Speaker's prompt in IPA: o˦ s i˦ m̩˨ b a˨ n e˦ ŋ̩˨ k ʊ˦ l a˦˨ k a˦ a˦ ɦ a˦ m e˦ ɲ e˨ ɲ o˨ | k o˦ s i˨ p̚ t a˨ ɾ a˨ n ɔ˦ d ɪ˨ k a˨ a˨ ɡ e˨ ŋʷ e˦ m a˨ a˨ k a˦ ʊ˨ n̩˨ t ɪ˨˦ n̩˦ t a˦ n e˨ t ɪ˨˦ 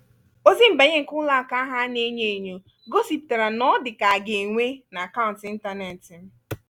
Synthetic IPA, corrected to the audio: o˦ z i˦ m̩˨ b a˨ ɲ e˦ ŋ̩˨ k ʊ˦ l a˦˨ k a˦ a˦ ɦ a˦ n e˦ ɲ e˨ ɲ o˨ | ɡ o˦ s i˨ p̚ t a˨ ɾ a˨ n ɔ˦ d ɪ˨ k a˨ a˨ ɡ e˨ ŋʷ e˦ n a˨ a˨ k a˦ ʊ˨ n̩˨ t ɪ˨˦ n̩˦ t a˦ n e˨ t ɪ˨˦